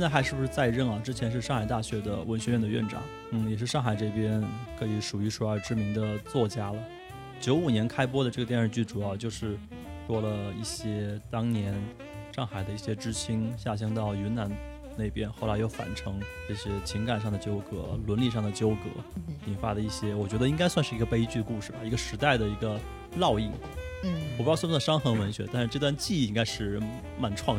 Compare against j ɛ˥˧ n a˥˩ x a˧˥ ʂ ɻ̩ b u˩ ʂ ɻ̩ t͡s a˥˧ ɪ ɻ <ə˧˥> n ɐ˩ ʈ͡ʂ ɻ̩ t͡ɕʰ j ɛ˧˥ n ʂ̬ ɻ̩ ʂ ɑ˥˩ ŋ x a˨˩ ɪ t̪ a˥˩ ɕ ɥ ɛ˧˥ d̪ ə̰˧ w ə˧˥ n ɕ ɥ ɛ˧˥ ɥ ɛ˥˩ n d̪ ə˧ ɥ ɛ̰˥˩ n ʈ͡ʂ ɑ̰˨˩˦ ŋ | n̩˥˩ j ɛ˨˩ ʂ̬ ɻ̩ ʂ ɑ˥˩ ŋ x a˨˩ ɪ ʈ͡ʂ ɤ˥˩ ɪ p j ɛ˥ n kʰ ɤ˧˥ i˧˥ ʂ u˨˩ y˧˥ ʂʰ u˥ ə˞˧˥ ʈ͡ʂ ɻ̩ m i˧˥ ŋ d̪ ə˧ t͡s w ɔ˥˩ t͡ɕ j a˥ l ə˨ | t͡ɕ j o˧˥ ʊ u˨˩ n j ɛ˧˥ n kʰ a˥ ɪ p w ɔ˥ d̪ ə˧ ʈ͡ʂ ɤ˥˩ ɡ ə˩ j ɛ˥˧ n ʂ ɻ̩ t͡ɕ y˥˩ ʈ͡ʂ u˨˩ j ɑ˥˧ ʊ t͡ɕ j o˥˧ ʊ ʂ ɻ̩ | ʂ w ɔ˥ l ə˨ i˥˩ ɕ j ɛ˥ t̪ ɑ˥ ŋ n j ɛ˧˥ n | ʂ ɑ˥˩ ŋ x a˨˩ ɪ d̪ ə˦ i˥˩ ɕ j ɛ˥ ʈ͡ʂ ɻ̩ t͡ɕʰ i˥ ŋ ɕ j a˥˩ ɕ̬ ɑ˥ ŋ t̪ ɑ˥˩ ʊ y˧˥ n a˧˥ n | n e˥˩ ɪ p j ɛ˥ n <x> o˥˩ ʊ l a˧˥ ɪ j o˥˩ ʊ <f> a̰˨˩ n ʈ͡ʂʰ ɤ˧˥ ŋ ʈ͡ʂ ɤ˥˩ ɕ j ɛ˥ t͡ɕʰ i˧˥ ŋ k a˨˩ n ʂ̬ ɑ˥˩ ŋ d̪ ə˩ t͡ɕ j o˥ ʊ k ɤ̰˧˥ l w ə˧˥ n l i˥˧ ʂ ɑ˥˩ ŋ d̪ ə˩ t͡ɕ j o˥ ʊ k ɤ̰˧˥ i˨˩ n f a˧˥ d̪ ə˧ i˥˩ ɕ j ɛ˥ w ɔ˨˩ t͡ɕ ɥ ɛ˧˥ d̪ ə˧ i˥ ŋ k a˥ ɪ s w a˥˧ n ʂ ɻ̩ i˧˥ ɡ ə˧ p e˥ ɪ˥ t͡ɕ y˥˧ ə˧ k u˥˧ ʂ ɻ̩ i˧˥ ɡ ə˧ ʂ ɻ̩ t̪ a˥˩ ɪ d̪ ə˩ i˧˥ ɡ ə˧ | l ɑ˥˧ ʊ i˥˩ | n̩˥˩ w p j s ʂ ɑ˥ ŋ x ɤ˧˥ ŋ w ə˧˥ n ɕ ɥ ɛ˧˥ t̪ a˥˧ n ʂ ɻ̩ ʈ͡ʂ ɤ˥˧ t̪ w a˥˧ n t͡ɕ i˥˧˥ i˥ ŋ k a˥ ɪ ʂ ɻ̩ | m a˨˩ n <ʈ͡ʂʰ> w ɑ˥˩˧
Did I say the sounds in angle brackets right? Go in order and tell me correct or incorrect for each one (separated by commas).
incorrect, correct, correct, correct